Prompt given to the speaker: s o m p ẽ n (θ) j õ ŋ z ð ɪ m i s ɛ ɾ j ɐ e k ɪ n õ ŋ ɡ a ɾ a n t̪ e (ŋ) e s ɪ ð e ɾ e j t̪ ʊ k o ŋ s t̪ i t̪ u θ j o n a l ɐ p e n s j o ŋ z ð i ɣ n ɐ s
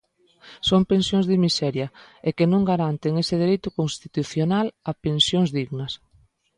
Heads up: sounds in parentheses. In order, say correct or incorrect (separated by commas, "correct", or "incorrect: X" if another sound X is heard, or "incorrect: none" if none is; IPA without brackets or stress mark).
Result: incorrect: s, correct